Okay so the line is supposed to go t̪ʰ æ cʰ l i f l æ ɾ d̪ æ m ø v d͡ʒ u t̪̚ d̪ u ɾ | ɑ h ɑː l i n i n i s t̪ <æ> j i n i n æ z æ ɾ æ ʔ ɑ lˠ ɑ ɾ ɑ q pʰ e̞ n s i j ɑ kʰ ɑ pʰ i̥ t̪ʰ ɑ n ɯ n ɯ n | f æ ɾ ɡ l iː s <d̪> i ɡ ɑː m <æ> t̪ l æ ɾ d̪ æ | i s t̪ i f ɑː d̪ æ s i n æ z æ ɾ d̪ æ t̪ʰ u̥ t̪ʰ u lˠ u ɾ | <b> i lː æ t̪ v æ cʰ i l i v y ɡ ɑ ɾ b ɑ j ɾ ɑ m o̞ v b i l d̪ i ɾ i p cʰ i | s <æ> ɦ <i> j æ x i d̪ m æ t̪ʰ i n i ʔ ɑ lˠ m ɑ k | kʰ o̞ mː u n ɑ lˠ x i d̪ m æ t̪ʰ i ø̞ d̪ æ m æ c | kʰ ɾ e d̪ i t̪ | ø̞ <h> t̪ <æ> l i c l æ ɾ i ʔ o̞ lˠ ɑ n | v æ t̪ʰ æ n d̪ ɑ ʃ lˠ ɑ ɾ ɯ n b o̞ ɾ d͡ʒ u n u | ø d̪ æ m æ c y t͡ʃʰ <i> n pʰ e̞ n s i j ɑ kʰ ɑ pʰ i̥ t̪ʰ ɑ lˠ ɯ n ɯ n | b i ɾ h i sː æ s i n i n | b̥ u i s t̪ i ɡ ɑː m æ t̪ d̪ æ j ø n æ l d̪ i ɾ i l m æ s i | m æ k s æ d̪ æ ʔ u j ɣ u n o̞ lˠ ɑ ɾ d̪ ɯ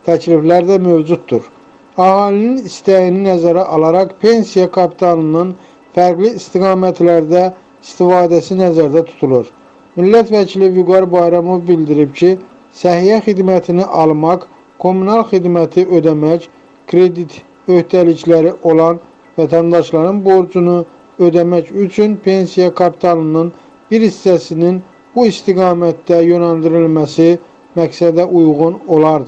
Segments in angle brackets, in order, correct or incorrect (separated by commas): correct, incorrect, correct, incorrect, correct, correct, correct, correct, incorrect